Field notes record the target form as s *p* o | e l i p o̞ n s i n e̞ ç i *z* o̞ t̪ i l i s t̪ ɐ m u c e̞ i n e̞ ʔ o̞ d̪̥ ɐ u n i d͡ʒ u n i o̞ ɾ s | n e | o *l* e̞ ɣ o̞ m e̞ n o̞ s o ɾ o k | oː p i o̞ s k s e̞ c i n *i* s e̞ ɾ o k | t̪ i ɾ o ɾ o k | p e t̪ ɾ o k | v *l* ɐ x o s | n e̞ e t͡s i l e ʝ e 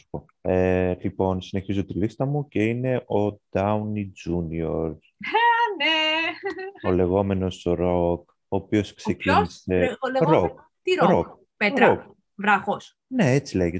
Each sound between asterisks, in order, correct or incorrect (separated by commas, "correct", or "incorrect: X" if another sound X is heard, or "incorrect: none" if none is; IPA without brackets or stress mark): correct, correct, correct, correct, incorrect: ɾ